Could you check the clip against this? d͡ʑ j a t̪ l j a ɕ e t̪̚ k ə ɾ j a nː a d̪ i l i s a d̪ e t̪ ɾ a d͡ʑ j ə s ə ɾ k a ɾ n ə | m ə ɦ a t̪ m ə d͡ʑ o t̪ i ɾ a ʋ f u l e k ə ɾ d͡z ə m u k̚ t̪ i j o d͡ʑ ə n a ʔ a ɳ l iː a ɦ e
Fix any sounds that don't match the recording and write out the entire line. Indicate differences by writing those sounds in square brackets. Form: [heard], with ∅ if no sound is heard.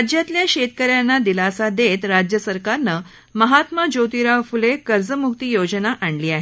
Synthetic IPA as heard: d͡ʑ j a t̪ l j a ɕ e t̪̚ k ə ɾ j a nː a d̪ i l [a] s a d̪ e t̪ ɾ a d͡ʑ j ə s ə ɾ k a ɾ n ə | m ə ɦ a t̪ m ə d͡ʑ o t̪ i ɾ a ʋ f u l e k ə ɾ d͡z ə m u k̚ t̪ i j o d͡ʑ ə n a ʔ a ɳ l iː a ɦ e